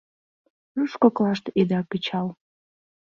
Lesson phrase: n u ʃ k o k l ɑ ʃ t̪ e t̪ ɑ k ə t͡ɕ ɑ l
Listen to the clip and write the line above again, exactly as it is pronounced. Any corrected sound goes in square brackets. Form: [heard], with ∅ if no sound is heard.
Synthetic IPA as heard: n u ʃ k o k l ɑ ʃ t̪ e [d̪] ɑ k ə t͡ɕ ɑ l